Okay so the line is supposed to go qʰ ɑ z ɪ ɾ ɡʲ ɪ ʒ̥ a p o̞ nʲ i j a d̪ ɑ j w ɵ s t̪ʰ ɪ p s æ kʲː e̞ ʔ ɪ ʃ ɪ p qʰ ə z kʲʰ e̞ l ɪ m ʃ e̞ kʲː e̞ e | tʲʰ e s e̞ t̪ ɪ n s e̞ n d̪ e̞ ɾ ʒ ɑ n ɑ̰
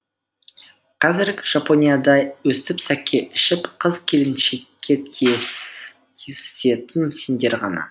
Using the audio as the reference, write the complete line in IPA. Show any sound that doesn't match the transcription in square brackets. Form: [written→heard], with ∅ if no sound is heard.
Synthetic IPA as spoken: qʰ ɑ z ɪ ɾ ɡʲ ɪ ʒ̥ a p o̞ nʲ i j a d̪ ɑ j w ɵ s [t̪ʰ→t̪] ɪ p s æ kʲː e̞ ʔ ɪ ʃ ɪ p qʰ ə z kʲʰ e̞ l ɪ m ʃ e̞ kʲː e̞ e | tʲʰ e s e̞ t̪ ɪ n s e̞ n d̪ e̞ ɾ [ʒ→ʁ] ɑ n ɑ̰